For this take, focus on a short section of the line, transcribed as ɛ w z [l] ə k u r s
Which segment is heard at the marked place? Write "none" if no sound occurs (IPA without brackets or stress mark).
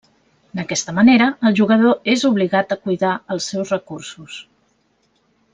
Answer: r